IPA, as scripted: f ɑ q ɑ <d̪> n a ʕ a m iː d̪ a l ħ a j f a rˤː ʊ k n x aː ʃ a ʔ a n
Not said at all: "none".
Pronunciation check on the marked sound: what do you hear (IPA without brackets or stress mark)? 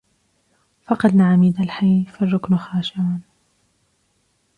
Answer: d̪